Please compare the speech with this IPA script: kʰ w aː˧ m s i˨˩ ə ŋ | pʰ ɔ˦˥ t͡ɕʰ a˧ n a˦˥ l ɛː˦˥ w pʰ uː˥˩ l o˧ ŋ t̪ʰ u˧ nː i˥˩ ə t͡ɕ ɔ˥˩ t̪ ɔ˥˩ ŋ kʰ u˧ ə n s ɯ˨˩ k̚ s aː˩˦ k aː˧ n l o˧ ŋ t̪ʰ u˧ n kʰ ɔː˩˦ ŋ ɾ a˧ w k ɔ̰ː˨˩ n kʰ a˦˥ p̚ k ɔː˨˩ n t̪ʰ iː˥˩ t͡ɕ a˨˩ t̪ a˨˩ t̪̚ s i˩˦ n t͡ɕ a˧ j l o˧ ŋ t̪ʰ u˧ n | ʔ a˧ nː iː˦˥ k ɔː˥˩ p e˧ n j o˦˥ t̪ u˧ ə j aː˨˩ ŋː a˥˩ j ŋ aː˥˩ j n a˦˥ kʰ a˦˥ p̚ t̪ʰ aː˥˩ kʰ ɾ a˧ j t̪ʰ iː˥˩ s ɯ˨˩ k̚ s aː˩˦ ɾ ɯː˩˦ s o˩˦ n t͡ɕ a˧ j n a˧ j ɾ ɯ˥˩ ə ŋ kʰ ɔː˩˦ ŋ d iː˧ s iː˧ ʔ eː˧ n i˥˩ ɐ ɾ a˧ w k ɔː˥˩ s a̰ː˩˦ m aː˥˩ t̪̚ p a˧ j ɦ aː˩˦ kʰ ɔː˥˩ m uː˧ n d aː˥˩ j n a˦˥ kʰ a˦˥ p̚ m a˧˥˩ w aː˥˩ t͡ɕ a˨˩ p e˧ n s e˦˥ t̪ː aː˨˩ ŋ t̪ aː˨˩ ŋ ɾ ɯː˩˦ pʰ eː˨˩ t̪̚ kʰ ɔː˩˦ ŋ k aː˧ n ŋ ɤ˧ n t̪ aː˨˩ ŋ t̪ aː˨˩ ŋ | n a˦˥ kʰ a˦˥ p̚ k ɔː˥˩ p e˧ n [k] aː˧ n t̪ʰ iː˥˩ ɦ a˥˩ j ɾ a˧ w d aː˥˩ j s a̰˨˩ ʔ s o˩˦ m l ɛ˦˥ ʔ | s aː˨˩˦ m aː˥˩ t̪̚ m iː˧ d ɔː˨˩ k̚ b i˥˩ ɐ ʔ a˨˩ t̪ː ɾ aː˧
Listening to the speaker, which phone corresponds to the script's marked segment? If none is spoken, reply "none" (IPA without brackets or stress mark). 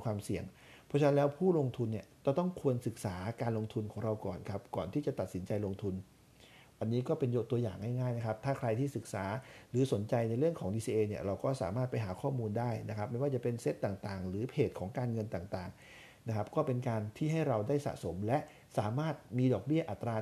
k